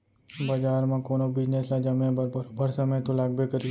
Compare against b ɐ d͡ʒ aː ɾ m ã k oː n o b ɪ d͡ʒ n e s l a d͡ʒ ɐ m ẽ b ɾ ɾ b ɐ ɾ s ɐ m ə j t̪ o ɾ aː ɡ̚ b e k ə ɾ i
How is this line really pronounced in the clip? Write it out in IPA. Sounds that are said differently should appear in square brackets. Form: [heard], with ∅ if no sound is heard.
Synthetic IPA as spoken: b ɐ d͡ʒ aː ɾ m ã k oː n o b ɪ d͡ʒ n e s l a d͡ʒ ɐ m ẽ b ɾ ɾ b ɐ ɾ s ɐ m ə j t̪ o [l] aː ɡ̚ b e k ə ɾ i